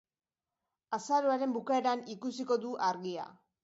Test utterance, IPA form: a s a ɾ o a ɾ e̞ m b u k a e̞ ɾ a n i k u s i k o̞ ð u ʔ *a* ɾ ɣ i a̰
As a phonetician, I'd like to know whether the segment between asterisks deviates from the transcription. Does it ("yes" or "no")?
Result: no